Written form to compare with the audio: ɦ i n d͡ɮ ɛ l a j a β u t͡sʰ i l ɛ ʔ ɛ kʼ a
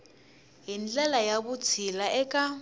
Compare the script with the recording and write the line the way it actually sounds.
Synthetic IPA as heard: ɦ i n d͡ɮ ɛ l a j a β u t͡sʰ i l a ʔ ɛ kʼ a